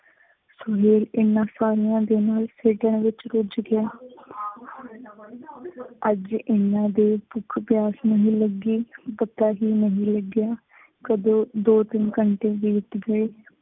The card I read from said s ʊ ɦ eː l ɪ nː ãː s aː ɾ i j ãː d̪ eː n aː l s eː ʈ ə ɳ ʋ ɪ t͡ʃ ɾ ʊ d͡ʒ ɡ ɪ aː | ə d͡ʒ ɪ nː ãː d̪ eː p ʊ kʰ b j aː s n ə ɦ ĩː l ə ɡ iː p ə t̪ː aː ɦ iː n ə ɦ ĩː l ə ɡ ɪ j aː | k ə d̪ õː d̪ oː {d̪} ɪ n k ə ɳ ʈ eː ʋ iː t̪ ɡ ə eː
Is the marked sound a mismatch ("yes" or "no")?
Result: yes